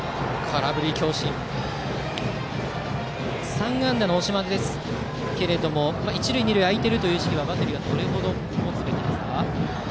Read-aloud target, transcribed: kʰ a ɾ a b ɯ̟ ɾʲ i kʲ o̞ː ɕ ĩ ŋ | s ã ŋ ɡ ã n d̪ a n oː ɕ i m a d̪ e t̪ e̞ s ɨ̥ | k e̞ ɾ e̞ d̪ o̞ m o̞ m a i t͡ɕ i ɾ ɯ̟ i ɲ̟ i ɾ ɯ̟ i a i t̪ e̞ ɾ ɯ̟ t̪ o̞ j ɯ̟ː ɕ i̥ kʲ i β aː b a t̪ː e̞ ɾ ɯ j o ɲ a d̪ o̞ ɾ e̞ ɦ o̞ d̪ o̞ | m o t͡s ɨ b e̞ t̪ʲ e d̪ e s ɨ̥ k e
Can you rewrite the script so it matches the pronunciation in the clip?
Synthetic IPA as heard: kʰ a ɾ a b ɯ̟ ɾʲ i kʲ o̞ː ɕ ĩ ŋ | s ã ŋ ɡ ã n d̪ a n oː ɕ i m a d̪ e d̪ e̞ s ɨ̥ | k e̞ ɾ e̞ d̪ o̞ m o̞ m a i t͡ɕ i ɾ ɯ̟ i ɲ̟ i ɾ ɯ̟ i a i t̪ e̞ ɾ ɯ̟ t̪ o̞ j ɯ̟ː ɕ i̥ kʲ i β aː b a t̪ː e̞ ɾ ɯ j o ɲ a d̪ o̞ ɾ e̞ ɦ o̞ d̪ o̞ | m o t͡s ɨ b e̞ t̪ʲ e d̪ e s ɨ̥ k a